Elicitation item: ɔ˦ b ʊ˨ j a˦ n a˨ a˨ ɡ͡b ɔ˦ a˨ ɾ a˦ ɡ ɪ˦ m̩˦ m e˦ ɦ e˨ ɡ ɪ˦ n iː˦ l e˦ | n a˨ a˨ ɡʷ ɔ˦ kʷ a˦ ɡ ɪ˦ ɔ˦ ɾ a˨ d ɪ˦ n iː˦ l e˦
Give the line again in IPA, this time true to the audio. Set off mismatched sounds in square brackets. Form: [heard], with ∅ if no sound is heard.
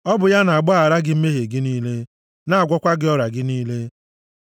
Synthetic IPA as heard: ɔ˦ b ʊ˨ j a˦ n a˨ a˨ ɡ͡b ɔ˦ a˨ ɾ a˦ ɡ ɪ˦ m̩˦ m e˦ ɦ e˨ ɡ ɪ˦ n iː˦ l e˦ | n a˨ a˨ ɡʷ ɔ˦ kʷ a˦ ɡ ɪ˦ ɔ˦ ɾ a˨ [ɡ] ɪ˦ n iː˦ l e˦

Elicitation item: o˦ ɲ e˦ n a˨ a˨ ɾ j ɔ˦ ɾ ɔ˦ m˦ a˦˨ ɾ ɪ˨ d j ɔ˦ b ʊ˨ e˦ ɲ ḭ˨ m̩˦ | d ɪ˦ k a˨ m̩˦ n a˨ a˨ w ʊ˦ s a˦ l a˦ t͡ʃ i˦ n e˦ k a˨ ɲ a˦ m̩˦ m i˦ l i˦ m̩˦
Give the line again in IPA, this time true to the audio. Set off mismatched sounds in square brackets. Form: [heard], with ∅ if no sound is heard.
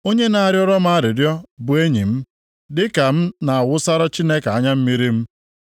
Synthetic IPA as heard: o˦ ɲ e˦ n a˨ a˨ ɾ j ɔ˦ ɾ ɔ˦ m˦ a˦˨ ɾ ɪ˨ d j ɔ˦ b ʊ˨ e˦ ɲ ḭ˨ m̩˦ | d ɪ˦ k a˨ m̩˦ n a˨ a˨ w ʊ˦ s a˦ [ɾ] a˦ t͡ʃ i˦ n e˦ k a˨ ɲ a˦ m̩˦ m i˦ [ɾ] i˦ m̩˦

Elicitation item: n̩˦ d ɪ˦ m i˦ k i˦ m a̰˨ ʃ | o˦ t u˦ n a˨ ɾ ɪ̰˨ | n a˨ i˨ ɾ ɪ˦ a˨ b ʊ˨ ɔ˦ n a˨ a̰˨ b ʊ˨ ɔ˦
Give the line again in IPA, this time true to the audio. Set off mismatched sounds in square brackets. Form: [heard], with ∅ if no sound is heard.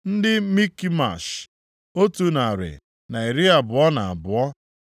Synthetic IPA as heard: n̩˦ d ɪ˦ m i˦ k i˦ m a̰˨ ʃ | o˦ t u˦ n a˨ ɾ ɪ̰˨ | n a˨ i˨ ɾ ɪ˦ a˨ b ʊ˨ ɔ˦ n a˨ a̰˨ b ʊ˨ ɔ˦

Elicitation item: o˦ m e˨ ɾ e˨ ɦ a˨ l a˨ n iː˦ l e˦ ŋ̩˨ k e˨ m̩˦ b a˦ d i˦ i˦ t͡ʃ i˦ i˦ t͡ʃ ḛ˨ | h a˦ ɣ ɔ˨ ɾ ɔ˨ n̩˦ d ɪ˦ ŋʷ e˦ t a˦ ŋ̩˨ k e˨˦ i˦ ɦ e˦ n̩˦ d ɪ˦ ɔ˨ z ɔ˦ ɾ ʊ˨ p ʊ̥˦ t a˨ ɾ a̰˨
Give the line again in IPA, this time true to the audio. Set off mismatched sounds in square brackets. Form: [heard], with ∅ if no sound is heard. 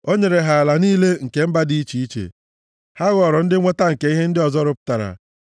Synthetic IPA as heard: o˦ [ɲ] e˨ ɾ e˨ ɦ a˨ l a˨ n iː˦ l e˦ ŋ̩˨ k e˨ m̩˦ b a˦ d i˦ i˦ t͡ʃ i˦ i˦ t͡ʃ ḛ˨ | h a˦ ɣ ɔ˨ ɾ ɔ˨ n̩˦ d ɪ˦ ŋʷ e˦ t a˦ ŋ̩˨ k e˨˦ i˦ ɦ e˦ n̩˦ d ɪ˦ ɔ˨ z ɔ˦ ɾ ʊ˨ p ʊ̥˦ t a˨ ɾ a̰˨

